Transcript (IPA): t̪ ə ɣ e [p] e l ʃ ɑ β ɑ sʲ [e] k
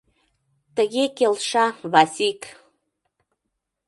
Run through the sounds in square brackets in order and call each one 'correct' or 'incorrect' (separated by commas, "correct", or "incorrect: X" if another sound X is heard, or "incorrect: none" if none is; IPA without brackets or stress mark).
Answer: incorrect: k, incorrect: i